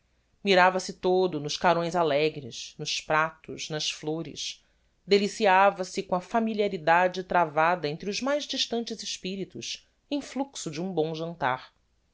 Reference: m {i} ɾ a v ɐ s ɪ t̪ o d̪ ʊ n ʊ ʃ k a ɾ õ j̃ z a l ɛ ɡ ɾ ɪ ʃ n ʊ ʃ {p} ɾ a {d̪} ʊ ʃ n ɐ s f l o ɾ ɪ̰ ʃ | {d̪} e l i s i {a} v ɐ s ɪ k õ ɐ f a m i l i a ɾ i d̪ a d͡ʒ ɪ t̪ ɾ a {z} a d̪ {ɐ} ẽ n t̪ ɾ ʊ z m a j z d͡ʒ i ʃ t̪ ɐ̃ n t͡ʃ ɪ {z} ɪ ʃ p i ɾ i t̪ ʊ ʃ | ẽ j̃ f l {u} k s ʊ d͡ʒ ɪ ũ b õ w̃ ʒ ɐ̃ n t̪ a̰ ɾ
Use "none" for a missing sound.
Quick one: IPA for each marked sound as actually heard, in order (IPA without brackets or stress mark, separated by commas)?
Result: i, p, t̪, d̪, a, v, ɐ, z, u